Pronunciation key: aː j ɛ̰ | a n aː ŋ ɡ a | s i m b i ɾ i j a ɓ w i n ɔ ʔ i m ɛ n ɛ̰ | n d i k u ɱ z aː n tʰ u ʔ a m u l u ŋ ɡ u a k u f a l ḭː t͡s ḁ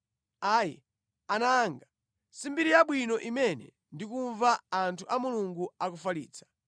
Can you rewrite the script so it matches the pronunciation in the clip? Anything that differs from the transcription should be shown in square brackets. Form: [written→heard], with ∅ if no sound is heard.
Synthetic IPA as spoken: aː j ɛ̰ | a n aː ŋ ɡ a | s i m b i ɾ i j a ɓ w i n ɔ ʔ i m ɛ n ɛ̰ | n d i k u ɱ [z→v] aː n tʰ u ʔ a m u l u ŋ ɡ u a k u f a l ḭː t͡s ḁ